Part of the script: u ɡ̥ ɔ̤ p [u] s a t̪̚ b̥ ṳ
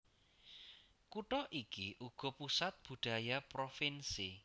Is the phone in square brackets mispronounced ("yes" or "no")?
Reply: no